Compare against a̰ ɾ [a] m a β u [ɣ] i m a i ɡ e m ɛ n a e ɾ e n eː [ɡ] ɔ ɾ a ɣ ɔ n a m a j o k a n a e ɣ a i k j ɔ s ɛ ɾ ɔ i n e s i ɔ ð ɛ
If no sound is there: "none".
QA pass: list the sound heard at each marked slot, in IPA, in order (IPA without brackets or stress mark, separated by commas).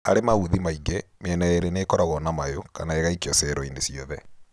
e, ð, k